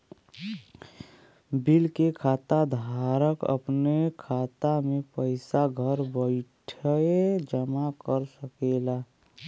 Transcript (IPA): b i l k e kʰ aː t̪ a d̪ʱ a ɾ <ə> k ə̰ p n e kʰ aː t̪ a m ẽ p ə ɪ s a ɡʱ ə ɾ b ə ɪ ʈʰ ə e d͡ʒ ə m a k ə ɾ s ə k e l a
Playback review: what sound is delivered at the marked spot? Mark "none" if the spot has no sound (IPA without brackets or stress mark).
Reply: ə